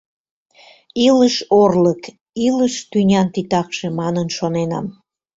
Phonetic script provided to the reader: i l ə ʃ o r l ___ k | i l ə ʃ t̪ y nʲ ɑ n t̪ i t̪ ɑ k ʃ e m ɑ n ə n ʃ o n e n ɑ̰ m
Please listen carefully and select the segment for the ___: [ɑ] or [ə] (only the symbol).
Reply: ə